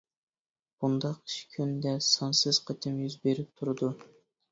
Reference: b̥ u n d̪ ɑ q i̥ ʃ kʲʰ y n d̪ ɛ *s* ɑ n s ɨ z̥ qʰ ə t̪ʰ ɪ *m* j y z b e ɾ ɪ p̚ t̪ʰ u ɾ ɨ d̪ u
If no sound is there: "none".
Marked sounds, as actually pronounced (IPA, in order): s, m

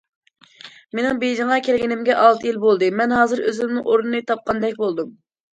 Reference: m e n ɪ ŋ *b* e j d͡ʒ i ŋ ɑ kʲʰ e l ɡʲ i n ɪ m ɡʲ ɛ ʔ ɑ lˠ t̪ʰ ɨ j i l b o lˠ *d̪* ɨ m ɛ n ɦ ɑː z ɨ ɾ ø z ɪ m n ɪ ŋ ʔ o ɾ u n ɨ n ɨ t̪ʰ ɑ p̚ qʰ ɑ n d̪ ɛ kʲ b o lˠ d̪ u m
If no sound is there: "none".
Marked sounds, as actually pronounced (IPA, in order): b, d̪

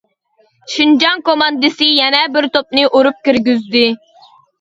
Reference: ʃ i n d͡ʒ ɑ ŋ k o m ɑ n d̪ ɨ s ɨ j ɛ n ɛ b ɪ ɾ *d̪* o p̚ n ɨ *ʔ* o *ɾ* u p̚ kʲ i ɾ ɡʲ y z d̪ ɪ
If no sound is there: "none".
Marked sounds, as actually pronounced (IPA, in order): t̪, ʔ, ɾ

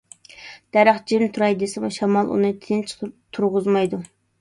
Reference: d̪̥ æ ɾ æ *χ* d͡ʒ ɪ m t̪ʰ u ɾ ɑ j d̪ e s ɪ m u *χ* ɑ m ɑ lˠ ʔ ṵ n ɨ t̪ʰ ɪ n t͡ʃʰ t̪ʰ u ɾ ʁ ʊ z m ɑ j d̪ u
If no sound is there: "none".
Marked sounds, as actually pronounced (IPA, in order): χ, ʃ

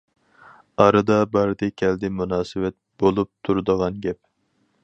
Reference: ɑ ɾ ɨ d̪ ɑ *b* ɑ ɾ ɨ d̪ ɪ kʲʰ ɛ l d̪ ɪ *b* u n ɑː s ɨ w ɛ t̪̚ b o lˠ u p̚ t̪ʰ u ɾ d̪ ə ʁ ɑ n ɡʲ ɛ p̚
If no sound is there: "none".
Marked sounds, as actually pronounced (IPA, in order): b, m

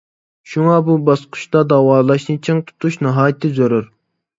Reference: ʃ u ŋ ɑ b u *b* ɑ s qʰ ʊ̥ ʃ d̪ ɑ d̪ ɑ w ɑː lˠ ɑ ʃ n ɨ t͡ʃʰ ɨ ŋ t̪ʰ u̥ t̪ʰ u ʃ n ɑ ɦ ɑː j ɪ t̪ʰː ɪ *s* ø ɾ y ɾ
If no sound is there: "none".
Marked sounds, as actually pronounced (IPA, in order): b, z

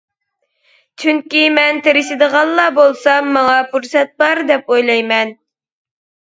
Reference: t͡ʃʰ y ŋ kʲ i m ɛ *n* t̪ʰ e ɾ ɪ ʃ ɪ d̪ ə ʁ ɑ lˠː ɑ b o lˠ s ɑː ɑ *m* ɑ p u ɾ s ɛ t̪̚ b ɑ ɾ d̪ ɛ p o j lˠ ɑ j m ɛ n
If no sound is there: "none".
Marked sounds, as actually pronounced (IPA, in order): n, ŋ

